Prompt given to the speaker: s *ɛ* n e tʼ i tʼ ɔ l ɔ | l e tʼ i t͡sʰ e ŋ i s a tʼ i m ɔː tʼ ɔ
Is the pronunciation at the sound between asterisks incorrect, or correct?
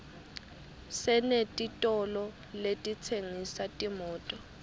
correct